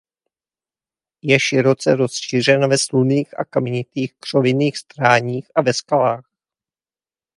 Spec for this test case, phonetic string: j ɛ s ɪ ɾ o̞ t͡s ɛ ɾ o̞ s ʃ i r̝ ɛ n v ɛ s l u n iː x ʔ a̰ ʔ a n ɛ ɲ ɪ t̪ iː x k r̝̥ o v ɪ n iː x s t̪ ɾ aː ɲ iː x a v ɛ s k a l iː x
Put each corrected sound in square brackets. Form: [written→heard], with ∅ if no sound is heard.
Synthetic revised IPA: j ɛ [s→ʃ] ɪ ɾ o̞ t͡s ɛ ɾ o̞ s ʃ i r̝ ɛ n v ɛ s l u n iː x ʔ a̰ [ʔ→k] a [n→m] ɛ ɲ ɪ t̪ iː x k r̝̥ o v ɪ n iː x s t̪ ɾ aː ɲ iː x a v ɛ s k a l [iː→aː] x